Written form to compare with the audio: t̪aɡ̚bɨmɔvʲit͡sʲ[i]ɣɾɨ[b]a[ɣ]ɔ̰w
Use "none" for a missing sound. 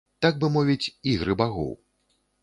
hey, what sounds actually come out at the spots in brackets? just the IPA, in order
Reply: i, b, ɣ

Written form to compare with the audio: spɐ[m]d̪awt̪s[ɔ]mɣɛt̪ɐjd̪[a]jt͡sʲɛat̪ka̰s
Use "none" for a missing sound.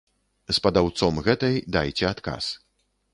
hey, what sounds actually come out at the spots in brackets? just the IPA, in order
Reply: none, ɔ, a

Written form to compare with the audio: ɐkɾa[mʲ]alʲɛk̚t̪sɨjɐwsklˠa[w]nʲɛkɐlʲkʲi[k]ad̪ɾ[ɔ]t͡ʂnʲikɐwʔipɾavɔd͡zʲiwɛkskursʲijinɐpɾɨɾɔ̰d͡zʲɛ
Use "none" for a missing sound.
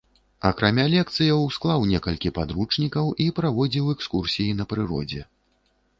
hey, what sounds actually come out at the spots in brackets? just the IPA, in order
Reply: mʲ, w, p, u

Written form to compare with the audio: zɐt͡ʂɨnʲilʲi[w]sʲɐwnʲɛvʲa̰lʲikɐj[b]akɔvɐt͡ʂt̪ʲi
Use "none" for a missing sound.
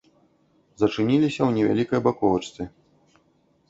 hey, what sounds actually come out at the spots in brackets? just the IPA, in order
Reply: none, b

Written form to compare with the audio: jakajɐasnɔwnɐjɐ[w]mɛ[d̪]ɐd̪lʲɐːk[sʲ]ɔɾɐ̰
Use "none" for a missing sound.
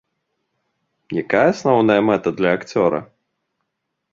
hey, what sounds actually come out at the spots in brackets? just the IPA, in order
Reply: none, t̪, t͡sʲ

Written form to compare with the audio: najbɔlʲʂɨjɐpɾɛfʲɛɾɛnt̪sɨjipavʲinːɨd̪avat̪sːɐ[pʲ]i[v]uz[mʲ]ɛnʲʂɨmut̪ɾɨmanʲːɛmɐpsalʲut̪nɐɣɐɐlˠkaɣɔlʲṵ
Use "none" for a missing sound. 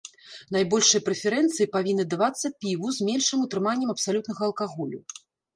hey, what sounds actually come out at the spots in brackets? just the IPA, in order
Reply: pʲ, v, mʲ

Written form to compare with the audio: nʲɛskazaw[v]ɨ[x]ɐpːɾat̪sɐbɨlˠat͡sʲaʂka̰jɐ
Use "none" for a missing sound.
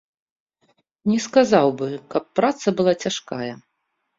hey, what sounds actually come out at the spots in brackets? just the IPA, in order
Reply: b, k

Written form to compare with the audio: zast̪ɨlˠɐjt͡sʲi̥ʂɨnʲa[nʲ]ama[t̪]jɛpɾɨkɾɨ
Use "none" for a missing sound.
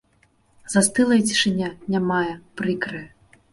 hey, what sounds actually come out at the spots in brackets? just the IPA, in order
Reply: nʲ, none

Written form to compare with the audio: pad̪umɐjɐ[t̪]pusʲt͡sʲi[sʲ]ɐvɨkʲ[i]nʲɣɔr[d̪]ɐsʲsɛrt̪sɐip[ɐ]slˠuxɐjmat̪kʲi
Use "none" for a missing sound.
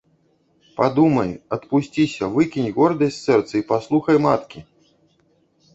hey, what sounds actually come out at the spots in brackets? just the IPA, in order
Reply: t̪, sʲ, i, d̪, a

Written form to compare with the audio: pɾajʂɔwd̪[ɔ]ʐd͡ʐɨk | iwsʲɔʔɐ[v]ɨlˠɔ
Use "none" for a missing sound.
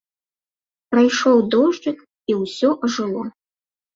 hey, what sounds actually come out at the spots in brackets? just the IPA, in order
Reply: ɔ, ʐ

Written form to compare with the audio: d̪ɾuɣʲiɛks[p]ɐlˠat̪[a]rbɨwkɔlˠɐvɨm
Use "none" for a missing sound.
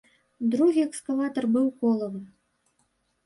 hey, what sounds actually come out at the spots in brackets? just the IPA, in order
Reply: k, ɐ

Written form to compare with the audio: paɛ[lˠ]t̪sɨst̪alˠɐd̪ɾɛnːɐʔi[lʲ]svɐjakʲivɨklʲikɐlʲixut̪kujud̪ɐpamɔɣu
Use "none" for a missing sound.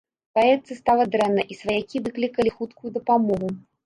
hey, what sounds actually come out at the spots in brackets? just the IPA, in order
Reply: none, none

